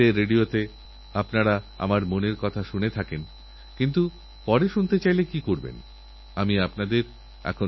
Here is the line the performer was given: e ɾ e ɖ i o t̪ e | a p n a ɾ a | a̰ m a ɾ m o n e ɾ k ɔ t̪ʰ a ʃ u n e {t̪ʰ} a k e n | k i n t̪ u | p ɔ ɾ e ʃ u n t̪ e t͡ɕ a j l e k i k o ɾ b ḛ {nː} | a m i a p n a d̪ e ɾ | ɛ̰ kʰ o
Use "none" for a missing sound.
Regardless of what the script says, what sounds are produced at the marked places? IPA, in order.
t̪ʰ, n

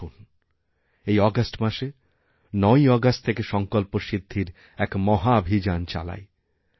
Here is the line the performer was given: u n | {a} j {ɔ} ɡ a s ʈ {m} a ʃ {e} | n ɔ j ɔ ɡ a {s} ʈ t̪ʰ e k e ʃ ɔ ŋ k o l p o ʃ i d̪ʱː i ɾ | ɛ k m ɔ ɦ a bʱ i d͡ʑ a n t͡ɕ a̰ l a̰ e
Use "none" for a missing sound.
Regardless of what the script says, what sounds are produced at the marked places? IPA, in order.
e, ɔ, m, e, s

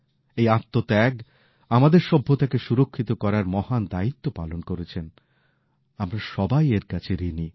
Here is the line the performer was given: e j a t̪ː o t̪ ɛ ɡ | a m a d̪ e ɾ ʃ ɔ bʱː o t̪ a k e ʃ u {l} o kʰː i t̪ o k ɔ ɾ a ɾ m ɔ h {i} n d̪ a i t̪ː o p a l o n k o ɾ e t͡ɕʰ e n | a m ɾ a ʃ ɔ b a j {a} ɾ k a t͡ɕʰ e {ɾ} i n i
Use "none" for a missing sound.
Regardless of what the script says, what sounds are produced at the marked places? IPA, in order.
ɾ, a, e, ɾ

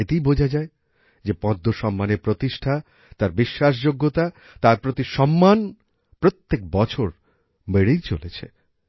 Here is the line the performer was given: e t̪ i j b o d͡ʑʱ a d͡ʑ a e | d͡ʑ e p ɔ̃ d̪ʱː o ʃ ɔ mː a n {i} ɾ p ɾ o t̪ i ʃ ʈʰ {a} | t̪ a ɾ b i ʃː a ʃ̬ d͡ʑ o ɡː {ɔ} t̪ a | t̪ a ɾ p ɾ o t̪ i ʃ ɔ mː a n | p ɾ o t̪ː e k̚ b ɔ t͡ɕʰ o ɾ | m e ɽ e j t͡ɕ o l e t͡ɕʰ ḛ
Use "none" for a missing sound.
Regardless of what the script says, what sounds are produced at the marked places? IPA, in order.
e, a, o

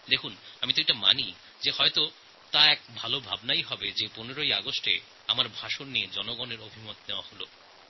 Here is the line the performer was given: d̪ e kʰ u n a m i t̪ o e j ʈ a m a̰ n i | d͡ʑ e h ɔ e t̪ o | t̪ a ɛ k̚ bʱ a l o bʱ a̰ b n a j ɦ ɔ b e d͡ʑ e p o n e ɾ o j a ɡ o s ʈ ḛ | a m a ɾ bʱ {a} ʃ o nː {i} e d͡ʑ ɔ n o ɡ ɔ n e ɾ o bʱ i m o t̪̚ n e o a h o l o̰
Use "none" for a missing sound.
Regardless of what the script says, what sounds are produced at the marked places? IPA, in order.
a, i

